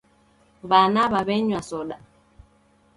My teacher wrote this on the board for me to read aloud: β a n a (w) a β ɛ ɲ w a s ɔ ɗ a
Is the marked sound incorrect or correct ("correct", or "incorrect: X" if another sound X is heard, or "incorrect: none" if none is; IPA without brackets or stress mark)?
incorrect: β